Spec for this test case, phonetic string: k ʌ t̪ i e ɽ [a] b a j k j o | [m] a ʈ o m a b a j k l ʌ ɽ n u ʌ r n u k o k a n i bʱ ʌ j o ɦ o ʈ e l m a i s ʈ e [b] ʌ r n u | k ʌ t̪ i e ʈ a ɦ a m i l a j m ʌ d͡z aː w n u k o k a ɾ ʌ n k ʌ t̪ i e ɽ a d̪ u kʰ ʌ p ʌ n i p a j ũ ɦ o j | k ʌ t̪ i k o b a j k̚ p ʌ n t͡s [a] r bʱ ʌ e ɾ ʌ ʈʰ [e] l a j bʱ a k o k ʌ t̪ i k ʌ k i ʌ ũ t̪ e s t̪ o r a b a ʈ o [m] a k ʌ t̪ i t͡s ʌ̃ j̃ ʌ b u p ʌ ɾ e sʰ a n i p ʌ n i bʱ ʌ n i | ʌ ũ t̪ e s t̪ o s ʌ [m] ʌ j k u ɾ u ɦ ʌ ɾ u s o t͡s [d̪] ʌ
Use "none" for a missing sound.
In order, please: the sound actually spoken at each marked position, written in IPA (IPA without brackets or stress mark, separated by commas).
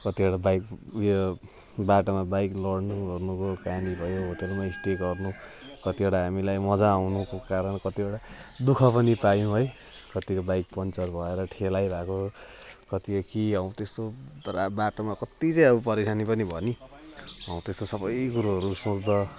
a, b, ɡ, ʌ, e, m, b, d̪